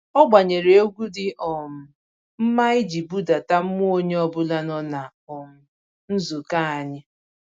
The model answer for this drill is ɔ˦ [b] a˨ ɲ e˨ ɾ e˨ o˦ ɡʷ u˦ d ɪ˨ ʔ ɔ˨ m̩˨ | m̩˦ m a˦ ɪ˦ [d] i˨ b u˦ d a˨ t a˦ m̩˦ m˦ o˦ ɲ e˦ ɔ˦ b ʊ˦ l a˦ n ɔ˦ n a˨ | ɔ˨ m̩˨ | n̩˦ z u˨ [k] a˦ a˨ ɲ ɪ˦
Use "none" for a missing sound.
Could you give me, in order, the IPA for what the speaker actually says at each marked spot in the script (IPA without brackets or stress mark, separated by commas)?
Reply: ɡ͡b, d͡ʒ, k